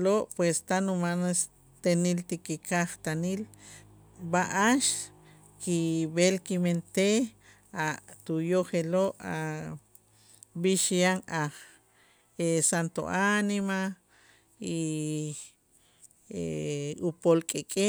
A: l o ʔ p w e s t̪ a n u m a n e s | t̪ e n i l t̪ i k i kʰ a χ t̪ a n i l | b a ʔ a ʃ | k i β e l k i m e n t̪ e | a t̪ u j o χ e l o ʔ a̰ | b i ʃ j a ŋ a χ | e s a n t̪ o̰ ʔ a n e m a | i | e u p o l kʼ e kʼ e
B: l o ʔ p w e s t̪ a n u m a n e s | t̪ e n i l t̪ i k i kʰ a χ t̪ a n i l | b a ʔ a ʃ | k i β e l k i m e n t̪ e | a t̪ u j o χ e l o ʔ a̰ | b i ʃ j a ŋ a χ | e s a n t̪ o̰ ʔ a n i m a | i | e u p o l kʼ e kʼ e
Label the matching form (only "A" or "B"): B